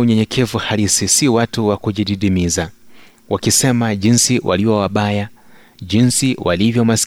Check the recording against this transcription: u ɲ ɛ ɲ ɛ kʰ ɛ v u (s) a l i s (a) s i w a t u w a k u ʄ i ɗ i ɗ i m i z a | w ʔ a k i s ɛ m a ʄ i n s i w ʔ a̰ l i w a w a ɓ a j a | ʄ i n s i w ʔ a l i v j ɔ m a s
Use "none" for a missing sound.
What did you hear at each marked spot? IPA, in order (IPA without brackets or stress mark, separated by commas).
h, i